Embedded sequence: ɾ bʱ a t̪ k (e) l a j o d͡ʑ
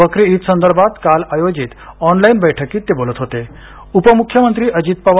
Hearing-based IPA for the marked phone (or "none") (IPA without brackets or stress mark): a